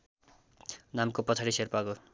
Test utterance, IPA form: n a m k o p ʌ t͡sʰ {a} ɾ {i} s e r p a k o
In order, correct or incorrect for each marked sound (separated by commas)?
correct, correct